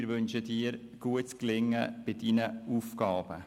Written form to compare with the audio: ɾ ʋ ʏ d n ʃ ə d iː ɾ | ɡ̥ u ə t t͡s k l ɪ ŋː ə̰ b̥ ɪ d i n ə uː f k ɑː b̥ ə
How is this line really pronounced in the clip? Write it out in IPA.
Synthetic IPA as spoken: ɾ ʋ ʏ n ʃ ə d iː ɾ | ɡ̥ u ə t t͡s k l ɪ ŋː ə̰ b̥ ɪ d i n ə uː f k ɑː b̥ ə